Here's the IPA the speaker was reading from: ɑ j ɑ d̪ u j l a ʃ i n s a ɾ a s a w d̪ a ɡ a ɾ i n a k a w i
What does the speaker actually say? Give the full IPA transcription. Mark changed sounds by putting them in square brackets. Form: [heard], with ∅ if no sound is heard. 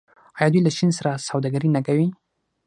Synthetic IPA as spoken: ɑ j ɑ d̪ u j l a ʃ i n s a ɾ a s a w d̪ a ɡ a ɾ i n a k a w i